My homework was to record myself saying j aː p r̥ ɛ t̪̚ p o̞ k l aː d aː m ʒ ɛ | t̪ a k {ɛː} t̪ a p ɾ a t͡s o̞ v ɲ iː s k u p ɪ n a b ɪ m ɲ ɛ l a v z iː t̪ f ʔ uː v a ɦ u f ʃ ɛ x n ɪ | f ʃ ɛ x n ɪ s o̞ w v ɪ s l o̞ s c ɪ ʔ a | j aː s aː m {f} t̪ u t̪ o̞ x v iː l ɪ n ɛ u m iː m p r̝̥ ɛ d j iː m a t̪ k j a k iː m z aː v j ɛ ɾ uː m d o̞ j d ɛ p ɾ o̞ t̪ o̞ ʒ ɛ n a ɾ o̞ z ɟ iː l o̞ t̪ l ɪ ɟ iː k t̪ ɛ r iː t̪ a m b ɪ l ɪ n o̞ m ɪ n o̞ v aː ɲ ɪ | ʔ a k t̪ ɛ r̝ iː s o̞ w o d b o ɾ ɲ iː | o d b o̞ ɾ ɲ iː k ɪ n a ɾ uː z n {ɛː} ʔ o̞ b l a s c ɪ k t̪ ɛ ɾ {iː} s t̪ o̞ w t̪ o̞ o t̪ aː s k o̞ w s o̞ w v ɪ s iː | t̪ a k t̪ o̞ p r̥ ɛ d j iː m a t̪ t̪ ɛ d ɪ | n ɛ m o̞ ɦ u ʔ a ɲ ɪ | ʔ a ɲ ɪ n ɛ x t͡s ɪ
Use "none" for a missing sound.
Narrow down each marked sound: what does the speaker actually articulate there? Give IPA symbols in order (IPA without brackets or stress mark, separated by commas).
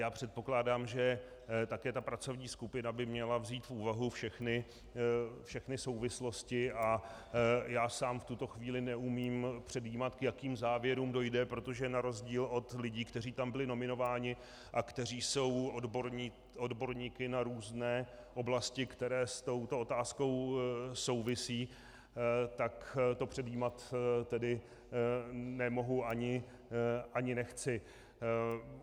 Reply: ɛː, f, ɛː, ɛː